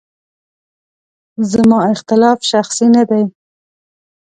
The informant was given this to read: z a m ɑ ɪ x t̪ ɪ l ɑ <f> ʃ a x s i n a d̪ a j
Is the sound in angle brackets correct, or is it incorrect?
correct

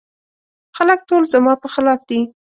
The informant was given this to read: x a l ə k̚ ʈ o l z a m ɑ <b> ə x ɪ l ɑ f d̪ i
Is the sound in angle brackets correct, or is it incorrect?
incorrect: p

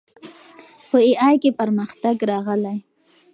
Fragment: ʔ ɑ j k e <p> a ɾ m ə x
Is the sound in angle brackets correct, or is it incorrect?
correct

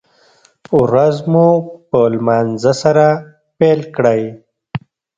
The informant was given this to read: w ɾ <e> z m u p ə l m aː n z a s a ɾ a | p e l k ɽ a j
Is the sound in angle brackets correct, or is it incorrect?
incorrect: a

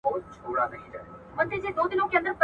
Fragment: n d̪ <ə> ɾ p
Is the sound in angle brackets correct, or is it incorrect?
correct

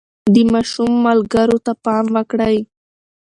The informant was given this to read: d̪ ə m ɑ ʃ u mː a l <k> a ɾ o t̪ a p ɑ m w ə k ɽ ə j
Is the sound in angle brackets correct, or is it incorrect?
incorrect: ɡ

